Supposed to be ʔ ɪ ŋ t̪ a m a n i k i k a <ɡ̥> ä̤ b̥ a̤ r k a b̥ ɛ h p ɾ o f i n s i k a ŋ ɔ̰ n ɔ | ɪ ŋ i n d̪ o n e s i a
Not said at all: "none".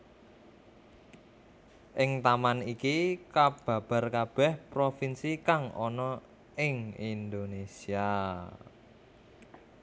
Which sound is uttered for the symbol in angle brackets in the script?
b̥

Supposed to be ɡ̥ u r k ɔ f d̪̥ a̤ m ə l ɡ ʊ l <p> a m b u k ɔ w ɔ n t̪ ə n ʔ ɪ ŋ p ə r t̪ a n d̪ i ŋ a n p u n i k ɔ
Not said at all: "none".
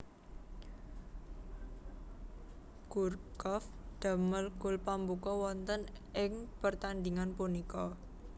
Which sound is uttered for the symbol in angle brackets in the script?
p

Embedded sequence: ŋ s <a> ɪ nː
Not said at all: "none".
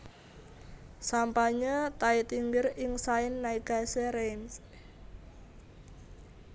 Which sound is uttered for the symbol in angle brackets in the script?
a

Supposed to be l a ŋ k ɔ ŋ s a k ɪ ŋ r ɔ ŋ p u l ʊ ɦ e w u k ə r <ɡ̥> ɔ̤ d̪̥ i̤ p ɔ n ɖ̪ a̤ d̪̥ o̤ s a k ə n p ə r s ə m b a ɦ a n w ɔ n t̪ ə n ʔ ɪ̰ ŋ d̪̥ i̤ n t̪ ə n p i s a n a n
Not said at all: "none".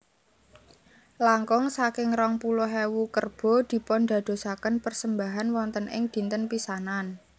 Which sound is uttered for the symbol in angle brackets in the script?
b̥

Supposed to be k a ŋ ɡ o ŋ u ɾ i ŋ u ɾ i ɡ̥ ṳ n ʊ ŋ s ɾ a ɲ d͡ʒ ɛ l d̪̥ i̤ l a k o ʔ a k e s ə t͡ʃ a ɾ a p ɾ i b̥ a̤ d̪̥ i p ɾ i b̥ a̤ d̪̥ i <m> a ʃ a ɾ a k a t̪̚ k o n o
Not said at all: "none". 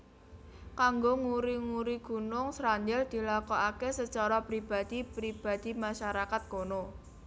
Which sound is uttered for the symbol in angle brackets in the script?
m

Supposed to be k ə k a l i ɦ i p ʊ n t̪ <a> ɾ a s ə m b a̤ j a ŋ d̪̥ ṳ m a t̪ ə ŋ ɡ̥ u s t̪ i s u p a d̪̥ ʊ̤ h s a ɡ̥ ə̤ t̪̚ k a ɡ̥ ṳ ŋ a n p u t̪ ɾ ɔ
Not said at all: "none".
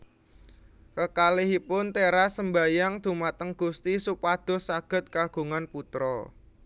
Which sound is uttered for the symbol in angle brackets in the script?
e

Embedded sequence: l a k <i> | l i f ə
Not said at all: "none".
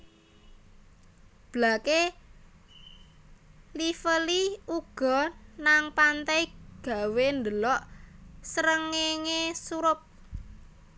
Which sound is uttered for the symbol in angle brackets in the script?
e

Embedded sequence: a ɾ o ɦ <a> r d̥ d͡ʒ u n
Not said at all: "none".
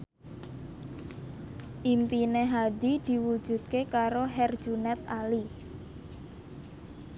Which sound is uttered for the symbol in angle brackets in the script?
ɛ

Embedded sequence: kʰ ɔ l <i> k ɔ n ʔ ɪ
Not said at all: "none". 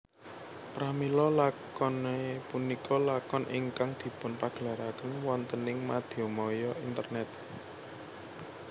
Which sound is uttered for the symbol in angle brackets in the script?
a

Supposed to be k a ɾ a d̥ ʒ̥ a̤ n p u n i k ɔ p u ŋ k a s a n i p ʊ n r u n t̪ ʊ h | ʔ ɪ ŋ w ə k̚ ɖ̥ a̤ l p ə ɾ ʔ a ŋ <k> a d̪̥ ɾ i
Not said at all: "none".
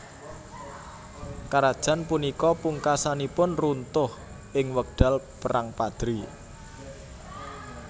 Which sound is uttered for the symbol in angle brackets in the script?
p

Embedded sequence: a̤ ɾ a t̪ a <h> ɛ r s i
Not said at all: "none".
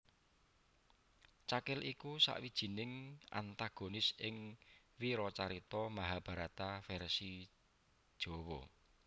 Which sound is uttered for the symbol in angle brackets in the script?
f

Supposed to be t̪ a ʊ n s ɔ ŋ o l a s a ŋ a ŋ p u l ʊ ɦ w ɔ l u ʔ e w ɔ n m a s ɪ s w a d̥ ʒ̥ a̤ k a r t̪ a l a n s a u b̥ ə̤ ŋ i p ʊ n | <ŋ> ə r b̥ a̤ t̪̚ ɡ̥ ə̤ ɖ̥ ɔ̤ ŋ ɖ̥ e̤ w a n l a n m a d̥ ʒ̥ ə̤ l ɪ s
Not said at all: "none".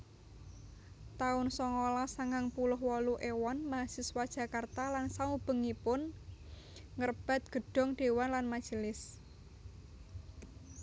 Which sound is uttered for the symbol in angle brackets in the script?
ŋ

